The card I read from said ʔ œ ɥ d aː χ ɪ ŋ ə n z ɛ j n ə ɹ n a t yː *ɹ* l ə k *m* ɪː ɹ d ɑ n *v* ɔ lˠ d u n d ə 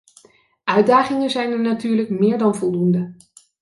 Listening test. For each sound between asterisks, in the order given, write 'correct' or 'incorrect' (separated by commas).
correct, correct, correct